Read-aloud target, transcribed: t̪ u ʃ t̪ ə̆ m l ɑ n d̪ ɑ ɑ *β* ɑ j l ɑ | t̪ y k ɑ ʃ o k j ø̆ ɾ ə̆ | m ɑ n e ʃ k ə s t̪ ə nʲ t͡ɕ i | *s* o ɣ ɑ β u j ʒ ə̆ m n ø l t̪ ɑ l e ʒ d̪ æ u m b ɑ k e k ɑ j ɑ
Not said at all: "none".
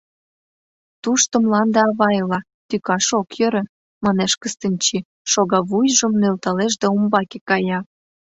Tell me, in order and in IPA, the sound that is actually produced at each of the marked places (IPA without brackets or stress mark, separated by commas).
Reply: β, ʃ